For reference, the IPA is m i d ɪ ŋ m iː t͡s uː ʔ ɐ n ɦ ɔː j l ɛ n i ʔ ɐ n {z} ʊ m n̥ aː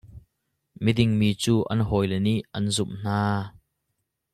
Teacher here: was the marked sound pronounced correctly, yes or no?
yes